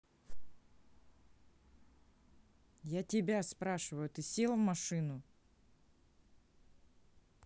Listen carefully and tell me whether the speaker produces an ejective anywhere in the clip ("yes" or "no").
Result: no